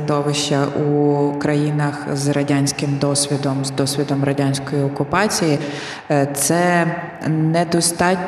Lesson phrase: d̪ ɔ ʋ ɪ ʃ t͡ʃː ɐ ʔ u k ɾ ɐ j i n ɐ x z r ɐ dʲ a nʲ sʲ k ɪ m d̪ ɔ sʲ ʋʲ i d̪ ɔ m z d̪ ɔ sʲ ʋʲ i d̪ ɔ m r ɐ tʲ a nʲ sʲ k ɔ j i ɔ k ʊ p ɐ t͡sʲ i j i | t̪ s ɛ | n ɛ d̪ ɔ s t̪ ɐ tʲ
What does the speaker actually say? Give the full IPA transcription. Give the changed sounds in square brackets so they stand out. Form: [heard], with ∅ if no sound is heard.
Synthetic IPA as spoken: d̪ ɔ ʋ ɪ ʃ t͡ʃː ɐ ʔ u k ɾ ɐ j i n ɐ x z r ɐ dʲ a nʲ sʲ k ɪ m d̪ ɔ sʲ ʋʲ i d̪ ɔ m z d̪ ɔ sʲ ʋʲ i d̪ ɔ m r ɐ [dʲ] a nʲ sʲ k ɔ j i ɔ k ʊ p [ɑ] t͡sʲ i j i | t̪ s ɛ | n ɛ d̪ ɔ s t̪ [ɑ] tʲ